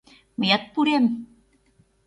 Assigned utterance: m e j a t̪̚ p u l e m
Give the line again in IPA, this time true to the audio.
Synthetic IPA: m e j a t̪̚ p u ɾ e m

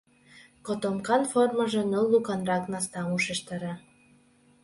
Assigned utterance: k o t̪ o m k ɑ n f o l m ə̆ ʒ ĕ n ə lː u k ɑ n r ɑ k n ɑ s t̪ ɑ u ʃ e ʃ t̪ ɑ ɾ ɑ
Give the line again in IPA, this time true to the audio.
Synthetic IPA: k o t̪ o m k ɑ n f o r m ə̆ ʒ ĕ n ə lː u k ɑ n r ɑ k n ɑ s t̪ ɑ u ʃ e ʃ t̪ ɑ ɾ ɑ

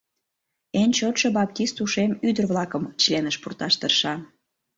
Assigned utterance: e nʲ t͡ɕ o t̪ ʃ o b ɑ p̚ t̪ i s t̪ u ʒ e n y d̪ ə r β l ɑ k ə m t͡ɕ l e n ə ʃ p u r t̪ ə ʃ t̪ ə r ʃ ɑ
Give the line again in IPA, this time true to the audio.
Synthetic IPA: e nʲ t͡ɕ o t̪ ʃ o b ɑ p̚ t̪ i s t̪ u ʃ e m y d̪ ə r β l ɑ k ə m t͡ɕ l e n ə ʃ p u r t̪ ɑ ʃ t̪ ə r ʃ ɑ

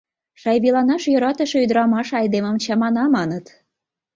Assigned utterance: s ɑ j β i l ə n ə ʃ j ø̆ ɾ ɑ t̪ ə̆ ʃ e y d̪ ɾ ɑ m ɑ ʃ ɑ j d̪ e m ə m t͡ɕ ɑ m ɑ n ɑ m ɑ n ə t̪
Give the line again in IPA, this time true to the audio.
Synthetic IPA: ʃ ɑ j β i l ɑ n ɑ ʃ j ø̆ ɾ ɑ t̪ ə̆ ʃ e y d̪ ɾ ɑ m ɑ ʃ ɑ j d̪ e m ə m t͡ɕ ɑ m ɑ n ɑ m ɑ n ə t̪

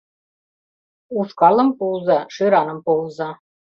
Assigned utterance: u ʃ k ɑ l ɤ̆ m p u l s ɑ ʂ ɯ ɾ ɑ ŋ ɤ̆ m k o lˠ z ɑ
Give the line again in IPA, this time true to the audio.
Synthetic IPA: u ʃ k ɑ l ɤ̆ m p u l z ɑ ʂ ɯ ɾ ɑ n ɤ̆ m p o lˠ z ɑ

